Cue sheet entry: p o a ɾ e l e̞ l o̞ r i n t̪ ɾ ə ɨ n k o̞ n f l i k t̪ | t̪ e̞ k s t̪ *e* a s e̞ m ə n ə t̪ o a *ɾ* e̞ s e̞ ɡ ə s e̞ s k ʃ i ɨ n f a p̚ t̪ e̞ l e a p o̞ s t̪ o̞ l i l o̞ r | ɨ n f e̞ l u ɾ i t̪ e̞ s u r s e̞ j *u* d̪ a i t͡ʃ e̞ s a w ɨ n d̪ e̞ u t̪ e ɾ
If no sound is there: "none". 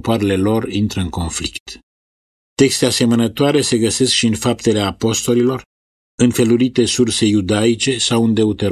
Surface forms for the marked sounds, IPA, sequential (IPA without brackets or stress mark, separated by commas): e, ɾ, u